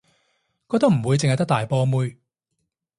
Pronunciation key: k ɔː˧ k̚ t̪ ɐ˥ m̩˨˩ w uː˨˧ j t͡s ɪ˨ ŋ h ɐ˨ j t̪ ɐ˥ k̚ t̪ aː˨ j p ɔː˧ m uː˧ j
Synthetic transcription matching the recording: k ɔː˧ k̚ t̪ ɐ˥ m̩˨˩ w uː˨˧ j t͡s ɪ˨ ŋ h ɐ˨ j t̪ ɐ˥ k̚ t̪ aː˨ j p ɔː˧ m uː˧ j